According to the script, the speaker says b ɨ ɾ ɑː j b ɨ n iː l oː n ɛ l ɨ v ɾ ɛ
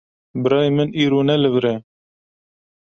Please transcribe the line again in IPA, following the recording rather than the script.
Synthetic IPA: b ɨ ɾ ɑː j m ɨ n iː ɾ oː n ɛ l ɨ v ɾ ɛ